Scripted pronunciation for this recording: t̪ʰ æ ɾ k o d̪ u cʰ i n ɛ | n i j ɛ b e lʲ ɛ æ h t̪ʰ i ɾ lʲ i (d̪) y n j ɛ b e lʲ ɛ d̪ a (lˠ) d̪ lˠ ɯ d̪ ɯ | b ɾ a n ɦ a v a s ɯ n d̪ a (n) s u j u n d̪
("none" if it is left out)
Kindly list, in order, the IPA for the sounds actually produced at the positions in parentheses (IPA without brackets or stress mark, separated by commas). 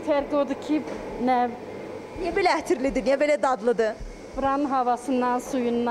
d̪, none, n